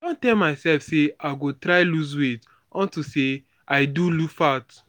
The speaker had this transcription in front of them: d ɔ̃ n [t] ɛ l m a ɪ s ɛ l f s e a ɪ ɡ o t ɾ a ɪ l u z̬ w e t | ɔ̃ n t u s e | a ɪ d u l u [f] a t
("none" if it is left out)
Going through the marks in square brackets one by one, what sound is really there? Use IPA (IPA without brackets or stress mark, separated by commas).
t, f